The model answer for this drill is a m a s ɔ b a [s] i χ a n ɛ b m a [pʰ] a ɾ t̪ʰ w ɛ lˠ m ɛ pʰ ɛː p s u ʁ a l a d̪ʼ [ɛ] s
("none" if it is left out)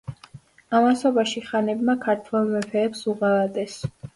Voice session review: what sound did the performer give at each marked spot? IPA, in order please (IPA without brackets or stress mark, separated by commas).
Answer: ʃ, kʰ, ɛ